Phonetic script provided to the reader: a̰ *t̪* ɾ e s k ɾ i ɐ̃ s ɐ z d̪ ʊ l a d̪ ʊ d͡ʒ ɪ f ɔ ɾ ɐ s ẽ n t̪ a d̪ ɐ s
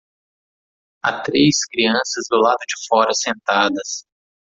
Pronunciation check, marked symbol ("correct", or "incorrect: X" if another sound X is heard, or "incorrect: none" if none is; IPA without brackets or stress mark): correct